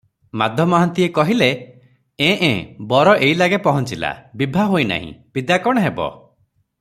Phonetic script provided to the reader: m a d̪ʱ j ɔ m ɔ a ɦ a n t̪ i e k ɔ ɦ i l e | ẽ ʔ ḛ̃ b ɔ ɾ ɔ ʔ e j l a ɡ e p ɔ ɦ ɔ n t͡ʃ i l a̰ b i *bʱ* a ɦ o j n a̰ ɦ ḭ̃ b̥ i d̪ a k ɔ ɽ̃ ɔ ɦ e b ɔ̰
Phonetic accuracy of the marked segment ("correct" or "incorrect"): correct